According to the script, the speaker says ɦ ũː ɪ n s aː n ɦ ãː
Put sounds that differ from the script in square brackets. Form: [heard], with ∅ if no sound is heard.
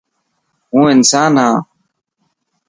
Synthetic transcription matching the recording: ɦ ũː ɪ n s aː n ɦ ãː